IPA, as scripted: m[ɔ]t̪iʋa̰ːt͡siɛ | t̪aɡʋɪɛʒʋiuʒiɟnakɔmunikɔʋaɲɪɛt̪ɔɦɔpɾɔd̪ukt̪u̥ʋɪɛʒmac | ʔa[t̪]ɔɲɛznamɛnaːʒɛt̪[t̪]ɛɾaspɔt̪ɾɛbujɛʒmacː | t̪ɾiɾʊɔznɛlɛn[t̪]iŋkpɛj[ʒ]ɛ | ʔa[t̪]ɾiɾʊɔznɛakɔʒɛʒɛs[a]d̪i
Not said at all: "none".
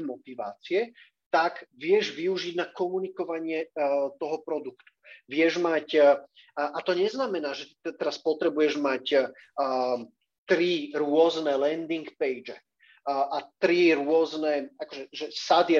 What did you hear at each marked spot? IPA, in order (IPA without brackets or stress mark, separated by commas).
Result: ɔ, t̪, t̪, d̪, d͡ʒ, t̪, a